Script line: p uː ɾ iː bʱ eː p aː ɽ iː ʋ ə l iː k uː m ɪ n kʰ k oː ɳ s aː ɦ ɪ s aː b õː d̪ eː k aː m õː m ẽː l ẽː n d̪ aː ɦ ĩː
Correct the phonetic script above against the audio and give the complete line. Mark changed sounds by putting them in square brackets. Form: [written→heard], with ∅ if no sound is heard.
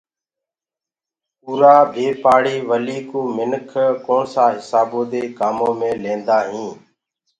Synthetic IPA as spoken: p uː ɾ [iː→aː] bʱ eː p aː ɽ iː ʋ ə l iː k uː m ɪ n kʰ k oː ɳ s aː ɦ ɪ s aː b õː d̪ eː k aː m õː m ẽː l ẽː n d̪ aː ɦ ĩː